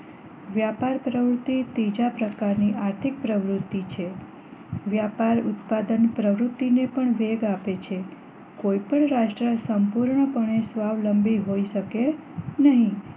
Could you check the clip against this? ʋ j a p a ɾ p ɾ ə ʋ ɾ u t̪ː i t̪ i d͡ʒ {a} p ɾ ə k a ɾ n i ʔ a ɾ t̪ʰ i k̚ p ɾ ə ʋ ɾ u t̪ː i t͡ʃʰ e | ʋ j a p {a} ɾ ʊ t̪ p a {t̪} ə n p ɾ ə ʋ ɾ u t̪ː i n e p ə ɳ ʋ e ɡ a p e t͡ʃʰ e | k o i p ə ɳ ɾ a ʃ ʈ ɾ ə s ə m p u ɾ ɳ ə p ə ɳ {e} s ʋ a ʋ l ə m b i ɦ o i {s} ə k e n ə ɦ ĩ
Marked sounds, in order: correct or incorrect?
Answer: correct, correct, incorrect, correct, incorrect

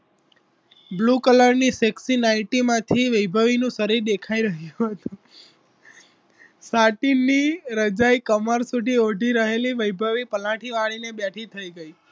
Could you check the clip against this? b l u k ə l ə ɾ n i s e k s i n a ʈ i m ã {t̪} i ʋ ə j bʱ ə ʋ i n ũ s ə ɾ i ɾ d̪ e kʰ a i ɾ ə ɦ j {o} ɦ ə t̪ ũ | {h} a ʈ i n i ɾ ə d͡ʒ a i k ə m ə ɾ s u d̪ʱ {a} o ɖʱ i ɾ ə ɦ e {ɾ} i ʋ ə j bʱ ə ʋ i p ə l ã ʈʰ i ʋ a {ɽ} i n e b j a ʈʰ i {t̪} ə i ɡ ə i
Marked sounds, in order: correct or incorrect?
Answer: incorrect, incorrect, incorrect, incorrect, incorrect, incorrect, incorrect

